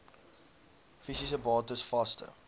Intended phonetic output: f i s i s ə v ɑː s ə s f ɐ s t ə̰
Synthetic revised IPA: f i s i s ə b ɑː t ə s f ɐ s t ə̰

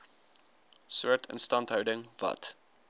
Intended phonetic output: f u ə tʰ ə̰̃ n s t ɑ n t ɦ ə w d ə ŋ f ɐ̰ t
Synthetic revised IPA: s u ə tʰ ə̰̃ n s t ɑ n t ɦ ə w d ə ŋ v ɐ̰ t

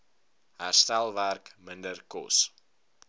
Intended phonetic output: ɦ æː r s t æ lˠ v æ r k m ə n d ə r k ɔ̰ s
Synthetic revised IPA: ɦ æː r s t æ lˠ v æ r k m ə n d ə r k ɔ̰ s

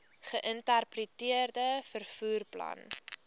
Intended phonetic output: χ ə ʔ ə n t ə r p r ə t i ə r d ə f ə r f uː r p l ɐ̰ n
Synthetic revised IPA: χ ə ʔ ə n t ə r p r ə t i ə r d ə f ə r f uː r p l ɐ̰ n

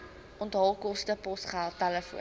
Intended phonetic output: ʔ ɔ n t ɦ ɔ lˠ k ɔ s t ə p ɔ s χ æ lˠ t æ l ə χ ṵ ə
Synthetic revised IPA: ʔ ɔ n t ɦ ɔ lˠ k ɔ s t ə p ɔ s χ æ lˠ t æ l ə f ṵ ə

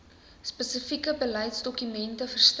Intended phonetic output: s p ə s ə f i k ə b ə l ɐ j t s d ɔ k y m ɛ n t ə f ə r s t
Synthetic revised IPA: s p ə s ə f i k ə b ə l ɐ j t s d ɔ k y m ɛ n t ə f ə r s t

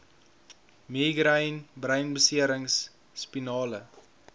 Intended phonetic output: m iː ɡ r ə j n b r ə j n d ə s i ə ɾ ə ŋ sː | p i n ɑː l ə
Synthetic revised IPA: m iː ɡ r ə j n b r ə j n b ə s i ə ɾ ə ŋ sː | p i n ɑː l ə

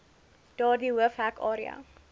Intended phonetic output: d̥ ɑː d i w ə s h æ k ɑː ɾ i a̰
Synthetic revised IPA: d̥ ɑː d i w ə f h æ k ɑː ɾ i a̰

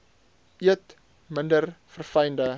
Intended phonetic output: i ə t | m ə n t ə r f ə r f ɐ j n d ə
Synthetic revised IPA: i ə t | m ə n d ə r f ə r f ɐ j n d ə

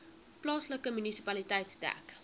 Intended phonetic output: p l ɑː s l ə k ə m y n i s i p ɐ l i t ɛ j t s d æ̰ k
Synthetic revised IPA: p l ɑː s l ə k ə m y n i s i p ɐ l i t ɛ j t s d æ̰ k

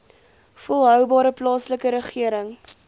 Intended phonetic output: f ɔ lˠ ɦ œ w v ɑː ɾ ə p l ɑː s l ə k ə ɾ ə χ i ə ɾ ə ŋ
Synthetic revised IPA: f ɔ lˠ ɦ œ w b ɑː ɾ ə p l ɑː s l ə k ə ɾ ə χ i ə ɾ ə ŋ

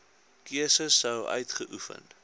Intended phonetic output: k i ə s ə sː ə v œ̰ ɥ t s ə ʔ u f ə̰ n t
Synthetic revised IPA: k i ə s ə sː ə w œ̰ ɥ t χ ə ʔ u f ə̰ n t

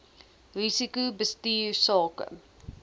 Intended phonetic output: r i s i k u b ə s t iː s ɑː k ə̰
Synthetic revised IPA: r i s i k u b ə s t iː s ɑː k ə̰

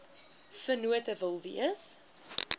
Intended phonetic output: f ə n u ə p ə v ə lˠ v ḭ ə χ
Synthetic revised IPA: f ə n u ə t ə v ə lˠ v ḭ ə s

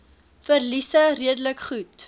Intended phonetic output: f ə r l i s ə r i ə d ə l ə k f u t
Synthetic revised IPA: f ə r l i s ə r i ə d ə l ə k χ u t

